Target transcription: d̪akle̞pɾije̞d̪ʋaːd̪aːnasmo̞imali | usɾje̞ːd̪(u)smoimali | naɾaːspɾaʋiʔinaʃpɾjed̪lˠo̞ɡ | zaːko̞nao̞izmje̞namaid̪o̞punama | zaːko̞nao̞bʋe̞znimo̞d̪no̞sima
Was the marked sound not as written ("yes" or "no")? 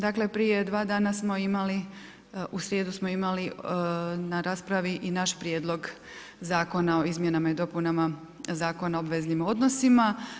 no